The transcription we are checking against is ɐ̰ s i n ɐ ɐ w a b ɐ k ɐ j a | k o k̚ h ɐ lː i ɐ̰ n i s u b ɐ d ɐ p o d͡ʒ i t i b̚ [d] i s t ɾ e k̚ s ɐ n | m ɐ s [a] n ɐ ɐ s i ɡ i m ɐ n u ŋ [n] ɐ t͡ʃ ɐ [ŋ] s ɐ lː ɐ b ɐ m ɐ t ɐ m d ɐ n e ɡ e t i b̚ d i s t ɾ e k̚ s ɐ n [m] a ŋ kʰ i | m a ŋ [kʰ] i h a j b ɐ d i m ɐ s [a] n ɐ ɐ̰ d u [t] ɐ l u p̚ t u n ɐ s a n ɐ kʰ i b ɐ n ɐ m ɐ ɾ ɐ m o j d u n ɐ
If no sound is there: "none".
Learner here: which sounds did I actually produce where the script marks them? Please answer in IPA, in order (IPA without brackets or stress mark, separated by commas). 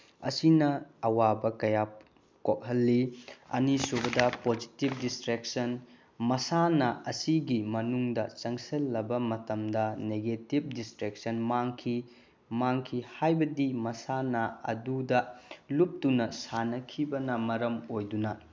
d, a, d, ŋ, m, kʰ, a, d